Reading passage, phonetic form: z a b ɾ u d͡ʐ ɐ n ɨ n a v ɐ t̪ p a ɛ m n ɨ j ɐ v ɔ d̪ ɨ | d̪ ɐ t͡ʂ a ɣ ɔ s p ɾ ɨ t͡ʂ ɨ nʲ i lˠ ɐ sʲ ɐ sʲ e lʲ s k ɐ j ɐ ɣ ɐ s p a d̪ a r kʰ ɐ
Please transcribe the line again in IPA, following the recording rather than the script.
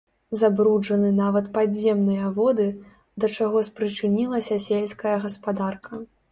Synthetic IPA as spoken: z a b ɾ u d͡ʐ ɐ n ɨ n a v ɐ t̪ p a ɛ m n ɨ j ɐ v ɔ d̪ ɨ | d̪ ɐ t͡ʂ a ɣ ɔ s p ɾ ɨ t͡ʂ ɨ nʲ i lˠ ɐ sʲ ɐ sʲ e lʲ s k ɐ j ɐ ɣ ɐ s p a d̪ a r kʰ ɐ